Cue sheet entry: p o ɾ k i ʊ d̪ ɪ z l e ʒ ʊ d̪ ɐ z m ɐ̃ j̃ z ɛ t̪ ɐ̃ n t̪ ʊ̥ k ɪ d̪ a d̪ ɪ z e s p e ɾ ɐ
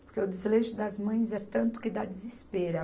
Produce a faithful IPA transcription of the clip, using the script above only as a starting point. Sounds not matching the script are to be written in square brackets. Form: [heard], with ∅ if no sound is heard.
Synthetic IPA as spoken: p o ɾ k [e] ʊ d̪ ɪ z l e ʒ ʊ d̪ ɐ z m ɐ̃ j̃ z ɛ t̪ ɐ̃ n t̪ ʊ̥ k ɪ d̪ a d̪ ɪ z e s p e ɾ ɐ